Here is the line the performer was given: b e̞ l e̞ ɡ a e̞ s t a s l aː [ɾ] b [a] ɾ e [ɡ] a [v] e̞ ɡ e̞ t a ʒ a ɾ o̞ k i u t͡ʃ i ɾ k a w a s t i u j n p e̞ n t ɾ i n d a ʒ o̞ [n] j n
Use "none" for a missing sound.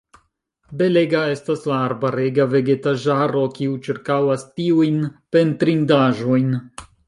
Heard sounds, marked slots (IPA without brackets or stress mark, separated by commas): ɾ, a, ɡ, v, none